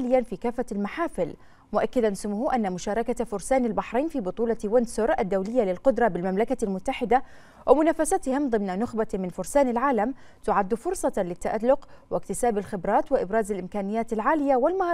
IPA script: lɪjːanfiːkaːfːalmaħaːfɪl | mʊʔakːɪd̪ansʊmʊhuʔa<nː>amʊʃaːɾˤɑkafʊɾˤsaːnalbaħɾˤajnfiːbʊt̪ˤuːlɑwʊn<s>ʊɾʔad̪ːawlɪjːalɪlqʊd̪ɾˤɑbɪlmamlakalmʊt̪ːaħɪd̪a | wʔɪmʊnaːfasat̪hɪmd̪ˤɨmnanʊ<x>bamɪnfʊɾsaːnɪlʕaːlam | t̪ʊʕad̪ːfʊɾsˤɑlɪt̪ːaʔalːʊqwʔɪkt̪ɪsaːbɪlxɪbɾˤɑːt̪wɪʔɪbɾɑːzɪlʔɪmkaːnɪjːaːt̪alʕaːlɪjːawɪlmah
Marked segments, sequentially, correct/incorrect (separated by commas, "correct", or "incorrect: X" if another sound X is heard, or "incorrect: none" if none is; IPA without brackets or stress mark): correct, correct, correct